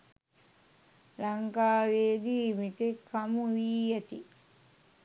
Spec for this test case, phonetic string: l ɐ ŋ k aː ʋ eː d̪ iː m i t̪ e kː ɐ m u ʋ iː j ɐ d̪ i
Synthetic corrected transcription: l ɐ ŋ k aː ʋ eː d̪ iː m i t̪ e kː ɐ m u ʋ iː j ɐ t̪ i